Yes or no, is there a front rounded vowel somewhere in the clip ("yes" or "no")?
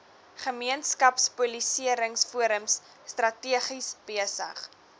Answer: no